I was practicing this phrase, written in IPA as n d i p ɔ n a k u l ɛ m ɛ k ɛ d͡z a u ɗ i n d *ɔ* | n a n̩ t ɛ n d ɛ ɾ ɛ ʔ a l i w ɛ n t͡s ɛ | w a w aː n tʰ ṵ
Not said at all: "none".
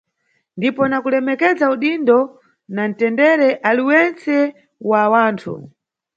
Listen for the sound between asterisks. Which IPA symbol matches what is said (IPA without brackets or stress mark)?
ɔ